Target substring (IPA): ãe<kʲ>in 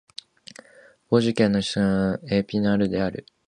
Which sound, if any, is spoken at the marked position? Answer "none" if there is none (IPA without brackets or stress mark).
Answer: pʲ